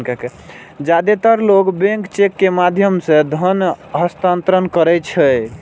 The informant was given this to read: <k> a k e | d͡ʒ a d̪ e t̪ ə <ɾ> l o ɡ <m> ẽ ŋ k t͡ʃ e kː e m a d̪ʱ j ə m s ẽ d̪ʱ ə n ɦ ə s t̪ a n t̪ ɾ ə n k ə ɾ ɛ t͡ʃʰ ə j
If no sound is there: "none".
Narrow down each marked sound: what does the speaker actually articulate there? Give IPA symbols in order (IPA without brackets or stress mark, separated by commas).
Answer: k, ɾ, b